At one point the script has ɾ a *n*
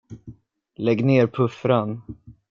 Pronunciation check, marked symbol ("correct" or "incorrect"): correct